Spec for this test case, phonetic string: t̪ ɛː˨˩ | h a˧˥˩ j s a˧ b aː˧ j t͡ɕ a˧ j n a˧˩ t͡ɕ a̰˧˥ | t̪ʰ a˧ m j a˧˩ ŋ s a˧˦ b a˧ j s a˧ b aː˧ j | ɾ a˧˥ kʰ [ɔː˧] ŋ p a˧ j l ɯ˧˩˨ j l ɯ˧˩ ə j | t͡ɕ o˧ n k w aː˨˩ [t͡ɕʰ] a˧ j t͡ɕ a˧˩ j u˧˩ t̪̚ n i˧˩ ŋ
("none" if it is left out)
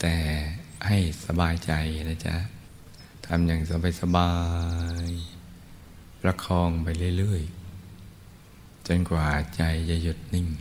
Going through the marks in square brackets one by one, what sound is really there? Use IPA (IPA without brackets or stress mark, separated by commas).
ɔː˧, t͡ɕ